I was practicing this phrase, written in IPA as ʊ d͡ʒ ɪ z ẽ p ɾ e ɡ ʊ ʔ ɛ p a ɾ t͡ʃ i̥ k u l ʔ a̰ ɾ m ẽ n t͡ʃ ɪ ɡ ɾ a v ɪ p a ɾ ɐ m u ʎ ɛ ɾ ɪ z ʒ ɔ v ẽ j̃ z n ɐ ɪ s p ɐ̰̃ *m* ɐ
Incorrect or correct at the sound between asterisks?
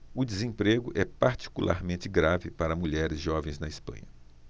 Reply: incorrect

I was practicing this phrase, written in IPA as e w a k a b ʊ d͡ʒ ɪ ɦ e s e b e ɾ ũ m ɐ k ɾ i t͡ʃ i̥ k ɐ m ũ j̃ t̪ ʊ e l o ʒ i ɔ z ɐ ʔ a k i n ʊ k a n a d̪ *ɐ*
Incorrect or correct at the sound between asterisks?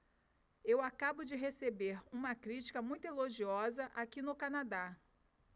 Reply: incorrect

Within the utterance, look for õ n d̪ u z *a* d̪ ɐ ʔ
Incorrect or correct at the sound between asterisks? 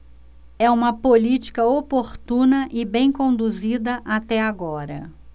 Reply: incorrect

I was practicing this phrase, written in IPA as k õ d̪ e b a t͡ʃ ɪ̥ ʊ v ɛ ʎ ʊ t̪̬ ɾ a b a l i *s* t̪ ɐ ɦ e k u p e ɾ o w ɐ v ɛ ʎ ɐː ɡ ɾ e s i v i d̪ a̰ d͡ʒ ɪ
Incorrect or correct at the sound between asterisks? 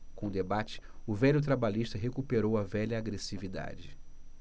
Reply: incorrect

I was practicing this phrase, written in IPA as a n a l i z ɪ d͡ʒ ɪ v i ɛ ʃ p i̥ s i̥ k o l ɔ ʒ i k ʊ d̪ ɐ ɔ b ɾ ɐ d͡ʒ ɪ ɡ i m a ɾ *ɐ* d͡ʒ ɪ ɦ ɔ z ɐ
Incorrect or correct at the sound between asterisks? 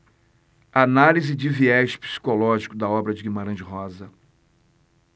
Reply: incorrect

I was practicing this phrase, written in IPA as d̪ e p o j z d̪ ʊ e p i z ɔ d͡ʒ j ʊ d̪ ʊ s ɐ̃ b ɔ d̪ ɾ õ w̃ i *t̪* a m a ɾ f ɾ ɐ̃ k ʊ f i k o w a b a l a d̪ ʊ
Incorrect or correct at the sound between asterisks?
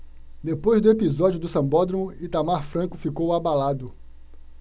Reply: correct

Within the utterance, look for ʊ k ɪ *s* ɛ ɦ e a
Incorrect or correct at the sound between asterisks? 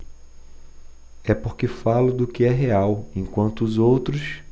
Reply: incorrect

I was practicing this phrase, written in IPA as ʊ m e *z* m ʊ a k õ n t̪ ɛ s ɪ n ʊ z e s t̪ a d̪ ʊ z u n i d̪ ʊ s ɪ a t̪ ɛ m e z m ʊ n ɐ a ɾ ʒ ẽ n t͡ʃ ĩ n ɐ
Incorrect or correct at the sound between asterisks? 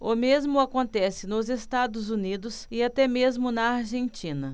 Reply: correct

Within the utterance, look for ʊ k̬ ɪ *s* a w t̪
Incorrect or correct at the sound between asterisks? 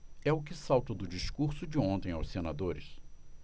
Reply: correct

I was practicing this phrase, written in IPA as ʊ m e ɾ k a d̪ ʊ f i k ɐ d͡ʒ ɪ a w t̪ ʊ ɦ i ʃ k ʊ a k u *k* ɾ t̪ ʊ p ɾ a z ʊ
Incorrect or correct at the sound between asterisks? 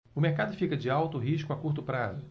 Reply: incorrect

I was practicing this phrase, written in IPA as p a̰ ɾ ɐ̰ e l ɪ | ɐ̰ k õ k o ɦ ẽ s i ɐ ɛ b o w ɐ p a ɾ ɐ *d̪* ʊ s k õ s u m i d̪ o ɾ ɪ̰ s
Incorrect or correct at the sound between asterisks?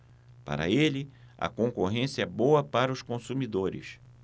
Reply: incorrect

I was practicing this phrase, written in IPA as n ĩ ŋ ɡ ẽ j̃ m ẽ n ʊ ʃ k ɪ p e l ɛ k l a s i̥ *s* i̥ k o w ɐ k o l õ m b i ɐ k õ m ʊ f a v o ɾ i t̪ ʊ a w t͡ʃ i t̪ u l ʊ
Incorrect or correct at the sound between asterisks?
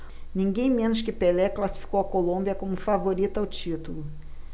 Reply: incorrect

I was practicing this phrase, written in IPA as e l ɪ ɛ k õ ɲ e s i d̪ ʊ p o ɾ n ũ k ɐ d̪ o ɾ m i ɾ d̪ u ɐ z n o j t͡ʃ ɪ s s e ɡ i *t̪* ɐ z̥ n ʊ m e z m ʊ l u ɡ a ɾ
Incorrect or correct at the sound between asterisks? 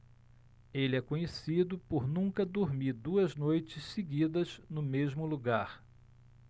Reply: incorrect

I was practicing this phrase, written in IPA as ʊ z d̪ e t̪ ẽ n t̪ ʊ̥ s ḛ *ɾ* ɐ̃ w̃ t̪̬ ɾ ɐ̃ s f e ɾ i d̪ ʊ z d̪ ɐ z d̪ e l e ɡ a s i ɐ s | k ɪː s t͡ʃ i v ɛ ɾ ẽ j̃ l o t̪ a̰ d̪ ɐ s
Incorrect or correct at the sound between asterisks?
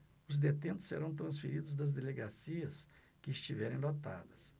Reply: correct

